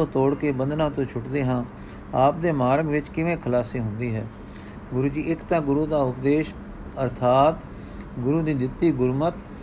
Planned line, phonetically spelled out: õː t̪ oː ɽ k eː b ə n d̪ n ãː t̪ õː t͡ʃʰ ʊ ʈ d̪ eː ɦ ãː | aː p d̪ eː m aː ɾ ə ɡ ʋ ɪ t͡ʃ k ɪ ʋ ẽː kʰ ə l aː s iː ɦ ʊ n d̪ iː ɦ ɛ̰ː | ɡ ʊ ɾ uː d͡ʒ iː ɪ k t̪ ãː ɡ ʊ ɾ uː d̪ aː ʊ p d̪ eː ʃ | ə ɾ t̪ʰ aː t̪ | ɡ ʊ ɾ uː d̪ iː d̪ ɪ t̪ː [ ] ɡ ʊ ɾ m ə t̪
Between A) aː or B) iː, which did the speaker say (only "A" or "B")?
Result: B